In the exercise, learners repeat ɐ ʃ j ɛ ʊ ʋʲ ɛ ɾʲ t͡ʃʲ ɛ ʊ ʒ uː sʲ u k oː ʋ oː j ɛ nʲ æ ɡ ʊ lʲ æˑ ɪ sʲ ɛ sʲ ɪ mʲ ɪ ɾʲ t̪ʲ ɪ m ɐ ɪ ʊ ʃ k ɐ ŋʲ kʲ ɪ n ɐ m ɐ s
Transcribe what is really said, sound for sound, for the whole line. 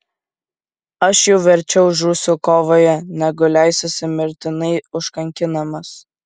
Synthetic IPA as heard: ɐ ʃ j ɛ ʊ ʋʲ ɛ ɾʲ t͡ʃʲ ɛ ʊ ʒ uː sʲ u k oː ʋ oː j ɛ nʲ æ ɡ ʊ lʲ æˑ ɪ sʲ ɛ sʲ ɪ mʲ ɪ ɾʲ t̪ʲ ɪ n ɐ ɪ ʊ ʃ k ɐ ŋʲ kʲ ɪ n ɐ m ɐ s